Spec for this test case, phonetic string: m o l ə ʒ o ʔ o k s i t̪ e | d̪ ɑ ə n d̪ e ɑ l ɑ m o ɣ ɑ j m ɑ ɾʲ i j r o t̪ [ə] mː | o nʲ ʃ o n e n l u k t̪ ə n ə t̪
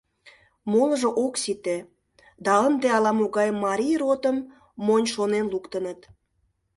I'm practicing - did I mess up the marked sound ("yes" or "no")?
no